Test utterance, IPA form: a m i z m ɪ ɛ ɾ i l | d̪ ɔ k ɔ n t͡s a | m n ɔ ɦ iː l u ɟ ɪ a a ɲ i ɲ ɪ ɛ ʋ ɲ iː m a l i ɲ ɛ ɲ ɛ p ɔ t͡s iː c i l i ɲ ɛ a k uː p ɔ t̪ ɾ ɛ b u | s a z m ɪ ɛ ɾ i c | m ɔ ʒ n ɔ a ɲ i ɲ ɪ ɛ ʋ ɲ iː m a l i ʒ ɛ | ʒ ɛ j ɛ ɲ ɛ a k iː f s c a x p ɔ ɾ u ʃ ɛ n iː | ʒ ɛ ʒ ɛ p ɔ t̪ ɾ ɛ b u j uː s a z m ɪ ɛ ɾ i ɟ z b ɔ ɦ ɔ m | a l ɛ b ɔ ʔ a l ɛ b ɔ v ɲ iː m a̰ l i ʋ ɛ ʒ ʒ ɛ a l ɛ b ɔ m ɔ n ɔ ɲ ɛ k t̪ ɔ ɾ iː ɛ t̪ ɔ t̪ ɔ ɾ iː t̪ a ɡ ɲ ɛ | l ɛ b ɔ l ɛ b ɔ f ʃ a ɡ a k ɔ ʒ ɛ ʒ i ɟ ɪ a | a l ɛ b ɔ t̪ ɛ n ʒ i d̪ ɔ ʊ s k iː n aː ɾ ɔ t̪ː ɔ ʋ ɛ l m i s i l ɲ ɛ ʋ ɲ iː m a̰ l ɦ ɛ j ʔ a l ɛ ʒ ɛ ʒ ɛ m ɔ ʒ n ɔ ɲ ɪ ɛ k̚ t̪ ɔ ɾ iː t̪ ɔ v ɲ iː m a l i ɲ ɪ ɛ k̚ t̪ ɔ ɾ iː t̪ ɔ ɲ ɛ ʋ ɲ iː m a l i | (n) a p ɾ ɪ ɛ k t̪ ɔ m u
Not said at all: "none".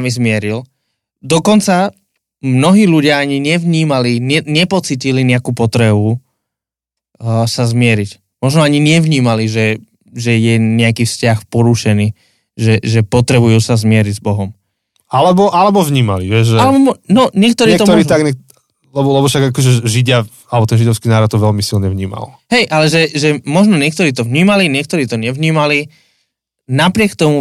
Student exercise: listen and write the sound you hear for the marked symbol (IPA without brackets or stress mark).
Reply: n